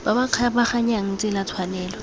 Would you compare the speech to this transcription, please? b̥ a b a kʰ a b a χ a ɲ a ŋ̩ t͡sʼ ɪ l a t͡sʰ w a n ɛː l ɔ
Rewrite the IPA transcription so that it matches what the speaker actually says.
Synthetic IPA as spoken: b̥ a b a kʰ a b a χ a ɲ a ŋ̩ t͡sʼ ɪ l a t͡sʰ w a n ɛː l ɔ